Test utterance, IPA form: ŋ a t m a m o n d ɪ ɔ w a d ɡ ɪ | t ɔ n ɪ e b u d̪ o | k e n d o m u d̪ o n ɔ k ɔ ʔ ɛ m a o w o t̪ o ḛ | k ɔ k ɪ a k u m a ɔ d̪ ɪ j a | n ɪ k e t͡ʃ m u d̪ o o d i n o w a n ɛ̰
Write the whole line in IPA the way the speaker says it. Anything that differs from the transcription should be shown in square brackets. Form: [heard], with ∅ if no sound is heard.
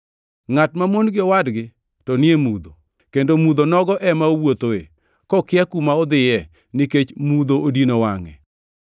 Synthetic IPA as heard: ŋ a t m a m o n [ɡ] ɪ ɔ w a d ɡ ɪ | t ɔ n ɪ e [m] u d̪ o | k e n d o m u d̪ o n ɔ [ɡ] ɔ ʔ ɛ m a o w o t̪ o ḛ | k ɔ k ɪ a k u m a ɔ d̪ ɪ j [ɛ] | n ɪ k e t͡ʃ m u d̪ o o d i n o w a [ŋ] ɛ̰